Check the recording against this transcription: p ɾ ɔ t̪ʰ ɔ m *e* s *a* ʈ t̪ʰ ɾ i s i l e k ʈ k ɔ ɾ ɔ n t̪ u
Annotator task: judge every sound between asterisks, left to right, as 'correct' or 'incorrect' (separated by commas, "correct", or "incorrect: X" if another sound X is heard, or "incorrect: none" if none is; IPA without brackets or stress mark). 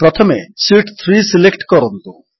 correct, incorrect: i